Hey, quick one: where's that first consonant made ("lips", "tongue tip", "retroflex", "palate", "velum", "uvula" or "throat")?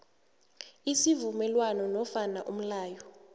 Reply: tongue tip